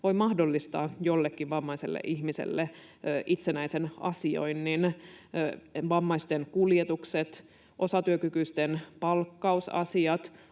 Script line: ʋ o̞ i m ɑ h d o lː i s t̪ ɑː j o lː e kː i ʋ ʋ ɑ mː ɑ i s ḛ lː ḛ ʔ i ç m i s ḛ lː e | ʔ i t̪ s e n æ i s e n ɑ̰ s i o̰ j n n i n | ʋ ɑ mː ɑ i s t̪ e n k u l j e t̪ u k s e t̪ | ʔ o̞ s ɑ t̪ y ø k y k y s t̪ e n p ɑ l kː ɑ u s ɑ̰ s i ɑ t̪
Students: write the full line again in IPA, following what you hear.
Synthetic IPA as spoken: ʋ o̞ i m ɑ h d o lː i s t̪ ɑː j o lː e kː i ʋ ʋ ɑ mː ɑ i s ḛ lː ḛ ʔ i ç m i s ḛ lː e | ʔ i t̪ s e n æ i s e n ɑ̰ s i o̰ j n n i n | ʋ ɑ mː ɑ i s t̪ e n k u l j e t̪ u k s e t̪ | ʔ o̞ s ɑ t̪ y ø k y k y s t̪ e n p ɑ l kː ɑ u s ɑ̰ s i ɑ t̪